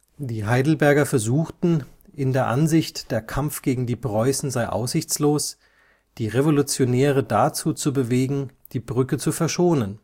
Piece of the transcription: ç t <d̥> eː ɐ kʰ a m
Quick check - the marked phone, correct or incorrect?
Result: correct